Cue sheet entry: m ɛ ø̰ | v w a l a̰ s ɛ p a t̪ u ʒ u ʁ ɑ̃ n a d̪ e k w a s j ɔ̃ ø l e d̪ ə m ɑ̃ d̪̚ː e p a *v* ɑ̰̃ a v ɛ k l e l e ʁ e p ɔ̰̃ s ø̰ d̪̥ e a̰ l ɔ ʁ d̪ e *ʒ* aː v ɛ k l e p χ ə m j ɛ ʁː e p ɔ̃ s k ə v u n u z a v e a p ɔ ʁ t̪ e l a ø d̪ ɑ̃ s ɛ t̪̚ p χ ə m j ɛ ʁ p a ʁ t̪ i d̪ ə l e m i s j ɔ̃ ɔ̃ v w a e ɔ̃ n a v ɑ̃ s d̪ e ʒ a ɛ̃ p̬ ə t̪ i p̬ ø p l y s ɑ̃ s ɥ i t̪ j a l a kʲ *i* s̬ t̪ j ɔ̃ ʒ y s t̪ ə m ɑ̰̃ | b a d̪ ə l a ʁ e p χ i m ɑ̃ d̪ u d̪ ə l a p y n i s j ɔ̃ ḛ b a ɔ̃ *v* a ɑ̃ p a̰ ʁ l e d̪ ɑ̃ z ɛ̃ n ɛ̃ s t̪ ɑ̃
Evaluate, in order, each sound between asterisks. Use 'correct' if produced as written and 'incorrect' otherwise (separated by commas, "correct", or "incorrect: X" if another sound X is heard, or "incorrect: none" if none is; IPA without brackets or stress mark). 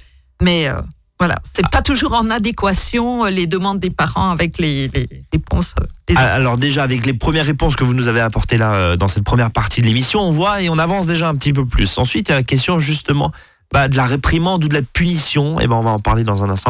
incorrect: ʁ, correct, incorrect: ɛ, correct